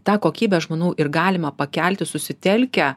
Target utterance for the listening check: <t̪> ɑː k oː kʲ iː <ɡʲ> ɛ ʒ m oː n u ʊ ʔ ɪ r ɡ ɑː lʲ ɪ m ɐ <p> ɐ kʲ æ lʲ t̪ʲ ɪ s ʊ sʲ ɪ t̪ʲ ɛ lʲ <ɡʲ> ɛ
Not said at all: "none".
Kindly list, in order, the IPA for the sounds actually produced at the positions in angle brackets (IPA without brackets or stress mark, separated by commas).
t̪, bʲ, p, kʲ